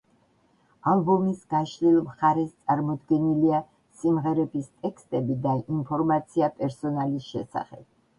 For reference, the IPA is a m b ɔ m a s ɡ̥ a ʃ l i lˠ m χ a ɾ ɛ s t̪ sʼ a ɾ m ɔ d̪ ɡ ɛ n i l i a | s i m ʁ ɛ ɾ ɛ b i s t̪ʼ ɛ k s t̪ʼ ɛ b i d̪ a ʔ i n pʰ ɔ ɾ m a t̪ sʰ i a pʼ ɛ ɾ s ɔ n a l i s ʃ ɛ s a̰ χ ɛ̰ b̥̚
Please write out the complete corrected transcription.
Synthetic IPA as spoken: a m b ɔ m i s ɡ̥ a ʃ l i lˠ m χ a ɾ ɛ s t̪ sʼ a ɾ m ɔ d̪ ɡ ɛ n i l i a | s i m ʁ ɛ ɾ ɛ b i s t̪ʼ ɛ k s t̪ʼ ɛ b i d̪ a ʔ i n pʰ ɔ ɾ m a t̪ sʰ i a pʼ ɛ ɾ s ɔ n a l i s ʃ ɛ s a̰ χ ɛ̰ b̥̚